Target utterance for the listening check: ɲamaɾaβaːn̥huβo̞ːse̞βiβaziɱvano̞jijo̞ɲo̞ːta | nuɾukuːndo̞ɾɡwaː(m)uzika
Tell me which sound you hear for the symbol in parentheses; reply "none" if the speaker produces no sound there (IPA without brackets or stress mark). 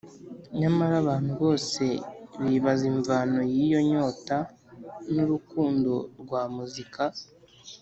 m